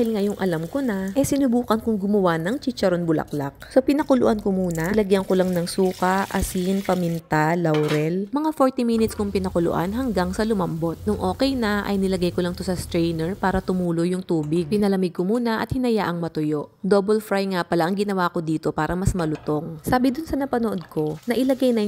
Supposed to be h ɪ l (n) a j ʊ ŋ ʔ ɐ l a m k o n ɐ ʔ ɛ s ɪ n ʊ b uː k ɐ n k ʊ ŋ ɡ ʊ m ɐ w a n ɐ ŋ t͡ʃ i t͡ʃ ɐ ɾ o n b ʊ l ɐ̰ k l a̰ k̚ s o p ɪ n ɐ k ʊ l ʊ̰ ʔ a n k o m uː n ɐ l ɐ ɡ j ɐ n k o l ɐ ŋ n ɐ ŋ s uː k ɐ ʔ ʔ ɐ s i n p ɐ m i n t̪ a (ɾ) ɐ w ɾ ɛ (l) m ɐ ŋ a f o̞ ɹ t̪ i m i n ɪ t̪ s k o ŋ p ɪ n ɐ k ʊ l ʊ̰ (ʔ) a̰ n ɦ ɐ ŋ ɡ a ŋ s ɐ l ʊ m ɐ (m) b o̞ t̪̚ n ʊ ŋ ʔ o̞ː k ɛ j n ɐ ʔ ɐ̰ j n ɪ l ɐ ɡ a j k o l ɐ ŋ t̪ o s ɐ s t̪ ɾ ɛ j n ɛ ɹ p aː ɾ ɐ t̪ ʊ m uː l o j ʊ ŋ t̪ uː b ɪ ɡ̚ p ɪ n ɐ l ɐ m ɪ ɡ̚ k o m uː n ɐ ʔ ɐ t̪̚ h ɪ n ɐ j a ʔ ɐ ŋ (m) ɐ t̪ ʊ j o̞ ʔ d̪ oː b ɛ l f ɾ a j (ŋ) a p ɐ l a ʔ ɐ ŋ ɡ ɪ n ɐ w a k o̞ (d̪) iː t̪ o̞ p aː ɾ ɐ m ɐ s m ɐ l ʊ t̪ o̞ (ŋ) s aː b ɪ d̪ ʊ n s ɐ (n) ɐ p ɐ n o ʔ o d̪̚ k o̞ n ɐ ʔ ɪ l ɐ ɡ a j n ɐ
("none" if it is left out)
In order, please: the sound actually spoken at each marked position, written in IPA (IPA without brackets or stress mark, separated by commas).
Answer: ŋ, l, l, ʔ, m, m, ŋ, d̪, ŋ, n